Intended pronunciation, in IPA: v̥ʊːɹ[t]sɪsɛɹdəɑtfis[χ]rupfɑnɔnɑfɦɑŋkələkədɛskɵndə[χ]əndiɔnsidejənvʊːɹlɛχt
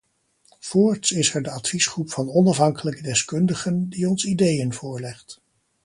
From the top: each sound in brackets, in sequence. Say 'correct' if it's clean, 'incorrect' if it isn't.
correct, correct, correct

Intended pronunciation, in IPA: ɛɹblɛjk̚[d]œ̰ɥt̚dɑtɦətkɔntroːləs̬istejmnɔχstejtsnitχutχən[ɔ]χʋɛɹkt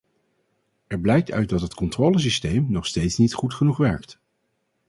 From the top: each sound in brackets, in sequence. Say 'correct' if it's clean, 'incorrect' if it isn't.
incorrect: t, incorrect: u

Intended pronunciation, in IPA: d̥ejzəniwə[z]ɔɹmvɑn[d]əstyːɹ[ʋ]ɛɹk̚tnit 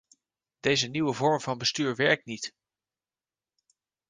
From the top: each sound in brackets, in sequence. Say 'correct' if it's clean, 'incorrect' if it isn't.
incorrect: v, incorrect: b, correct

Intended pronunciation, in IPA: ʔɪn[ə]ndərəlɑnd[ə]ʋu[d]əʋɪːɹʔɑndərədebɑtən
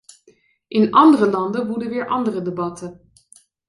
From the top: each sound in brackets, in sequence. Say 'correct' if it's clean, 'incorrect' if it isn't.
incorrect: ɑ, correct, correct

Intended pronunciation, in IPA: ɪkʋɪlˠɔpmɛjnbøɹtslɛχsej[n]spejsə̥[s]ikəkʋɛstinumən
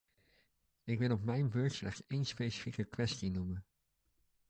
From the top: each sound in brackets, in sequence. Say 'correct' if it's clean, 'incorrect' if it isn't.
correct, incorrect: f

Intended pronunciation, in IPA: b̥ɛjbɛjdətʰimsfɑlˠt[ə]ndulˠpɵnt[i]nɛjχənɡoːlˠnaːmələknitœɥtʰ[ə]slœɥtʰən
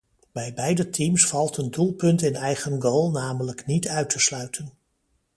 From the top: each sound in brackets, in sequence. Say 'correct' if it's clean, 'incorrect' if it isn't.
correct, incorrect: ɪ, correct

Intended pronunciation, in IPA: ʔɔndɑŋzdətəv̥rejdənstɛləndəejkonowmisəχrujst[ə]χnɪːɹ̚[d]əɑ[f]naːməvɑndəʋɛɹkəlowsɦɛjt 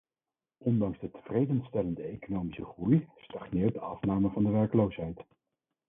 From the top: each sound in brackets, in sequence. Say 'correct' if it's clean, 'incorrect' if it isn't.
incorrect: ɑ, correct, correct

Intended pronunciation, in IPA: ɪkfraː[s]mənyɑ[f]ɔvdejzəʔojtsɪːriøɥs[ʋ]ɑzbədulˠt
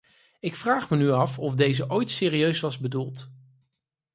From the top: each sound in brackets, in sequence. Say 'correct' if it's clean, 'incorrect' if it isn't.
incorrect: χ, correct, correct

